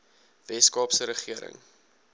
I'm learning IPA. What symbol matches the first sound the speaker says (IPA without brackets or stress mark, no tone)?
v